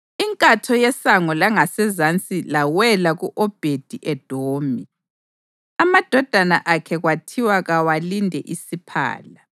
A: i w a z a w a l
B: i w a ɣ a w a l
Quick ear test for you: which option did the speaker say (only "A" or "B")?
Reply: B